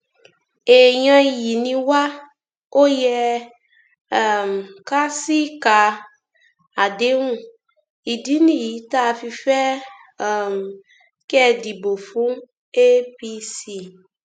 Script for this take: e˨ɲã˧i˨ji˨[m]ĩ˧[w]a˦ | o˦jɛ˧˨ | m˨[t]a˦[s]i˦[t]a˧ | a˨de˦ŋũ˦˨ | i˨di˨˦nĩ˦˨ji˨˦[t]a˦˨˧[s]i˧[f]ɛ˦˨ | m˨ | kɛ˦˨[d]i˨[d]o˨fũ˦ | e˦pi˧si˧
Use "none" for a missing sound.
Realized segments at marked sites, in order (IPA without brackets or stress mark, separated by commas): n, w, k, s, k, t, f, f, d, b